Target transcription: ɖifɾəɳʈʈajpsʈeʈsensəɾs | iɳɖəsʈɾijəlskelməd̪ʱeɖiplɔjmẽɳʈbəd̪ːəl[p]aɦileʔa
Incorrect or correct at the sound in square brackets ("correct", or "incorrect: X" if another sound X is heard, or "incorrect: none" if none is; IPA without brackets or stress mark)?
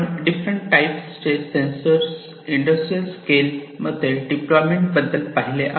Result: correct